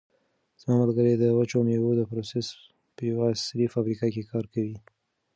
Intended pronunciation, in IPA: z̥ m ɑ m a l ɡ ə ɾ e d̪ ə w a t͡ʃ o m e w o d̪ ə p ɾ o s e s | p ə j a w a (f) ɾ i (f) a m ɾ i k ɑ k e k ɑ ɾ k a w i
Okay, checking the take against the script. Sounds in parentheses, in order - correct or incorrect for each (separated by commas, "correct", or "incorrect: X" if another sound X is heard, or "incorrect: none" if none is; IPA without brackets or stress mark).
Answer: incorrect: s, correct